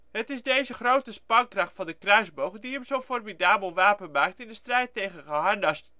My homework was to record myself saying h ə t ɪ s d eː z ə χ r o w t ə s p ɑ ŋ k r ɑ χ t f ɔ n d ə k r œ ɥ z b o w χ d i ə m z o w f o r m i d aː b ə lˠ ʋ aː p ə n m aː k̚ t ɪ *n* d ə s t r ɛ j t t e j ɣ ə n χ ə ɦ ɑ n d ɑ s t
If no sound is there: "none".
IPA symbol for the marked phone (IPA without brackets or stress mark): n